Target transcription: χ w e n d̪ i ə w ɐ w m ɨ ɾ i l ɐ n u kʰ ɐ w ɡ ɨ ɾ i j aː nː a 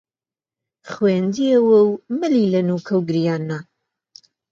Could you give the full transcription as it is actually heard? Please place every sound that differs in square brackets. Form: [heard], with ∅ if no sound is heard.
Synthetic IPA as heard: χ w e n d̪ i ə w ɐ w m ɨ [l] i l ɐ n u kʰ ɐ w ɡ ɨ ɾ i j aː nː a